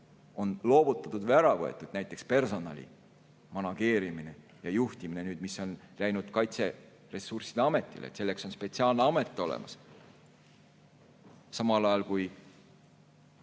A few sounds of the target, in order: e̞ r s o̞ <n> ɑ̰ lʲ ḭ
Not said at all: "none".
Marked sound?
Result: n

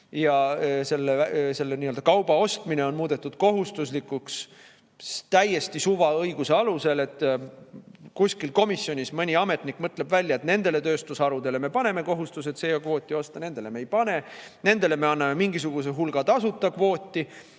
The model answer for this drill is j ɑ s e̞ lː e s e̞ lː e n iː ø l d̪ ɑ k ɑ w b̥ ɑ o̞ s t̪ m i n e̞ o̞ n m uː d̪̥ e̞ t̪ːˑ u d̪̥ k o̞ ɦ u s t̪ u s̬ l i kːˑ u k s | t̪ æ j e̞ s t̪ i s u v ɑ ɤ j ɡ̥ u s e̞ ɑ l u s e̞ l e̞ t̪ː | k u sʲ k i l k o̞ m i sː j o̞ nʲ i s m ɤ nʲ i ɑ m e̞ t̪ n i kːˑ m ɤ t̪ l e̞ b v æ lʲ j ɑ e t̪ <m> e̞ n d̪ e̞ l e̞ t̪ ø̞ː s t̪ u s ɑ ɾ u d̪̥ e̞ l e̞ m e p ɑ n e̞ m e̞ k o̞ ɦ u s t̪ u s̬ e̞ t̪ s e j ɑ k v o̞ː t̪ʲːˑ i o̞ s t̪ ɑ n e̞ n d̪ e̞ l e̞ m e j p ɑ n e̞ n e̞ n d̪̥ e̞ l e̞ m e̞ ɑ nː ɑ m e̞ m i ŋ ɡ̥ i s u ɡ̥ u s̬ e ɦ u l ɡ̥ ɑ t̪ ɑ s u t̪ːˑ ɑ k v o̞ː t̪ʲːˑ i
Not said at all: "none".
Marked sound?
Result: n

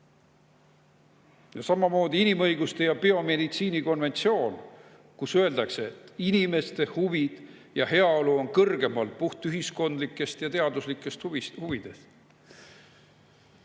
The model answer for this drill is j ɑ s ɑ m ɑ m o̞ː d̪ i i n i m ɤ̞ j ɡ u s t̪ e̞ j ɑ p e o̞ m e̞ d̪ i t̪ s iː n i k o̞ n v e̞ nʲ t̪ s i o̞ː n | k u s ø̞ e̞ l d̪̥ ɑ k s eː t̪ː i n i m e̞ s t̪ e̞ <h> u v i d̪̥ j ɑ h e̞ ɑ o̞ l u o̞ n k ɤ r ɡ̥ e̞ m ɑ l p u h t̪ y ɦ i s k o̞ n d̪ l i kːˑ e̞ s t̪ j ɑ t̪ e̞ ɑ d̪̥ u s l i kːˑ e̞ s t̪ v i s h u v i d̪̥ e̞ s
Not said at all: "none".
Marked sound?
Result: h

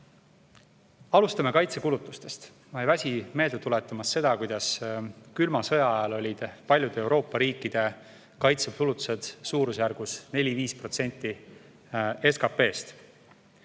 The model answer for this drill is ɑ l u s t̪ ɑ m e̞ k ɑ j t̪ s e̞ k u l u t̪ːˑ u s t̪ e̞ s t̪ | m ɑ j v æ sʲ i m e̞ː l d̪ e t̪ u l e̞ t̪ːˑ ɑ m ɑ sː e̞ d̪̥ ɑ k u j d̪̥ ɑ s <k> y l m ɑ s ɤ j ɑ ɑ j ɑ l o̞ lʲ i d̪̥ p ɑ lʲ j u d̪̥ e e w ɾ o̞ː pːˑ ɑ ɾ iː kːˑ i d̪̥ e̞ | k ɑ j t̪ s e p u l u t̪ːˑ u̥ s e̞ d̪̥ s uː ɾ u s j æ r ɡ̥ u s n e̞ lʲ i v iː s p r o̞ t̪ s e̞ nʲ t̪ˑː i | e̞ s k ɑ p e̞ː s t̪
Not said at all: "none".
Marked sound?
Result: k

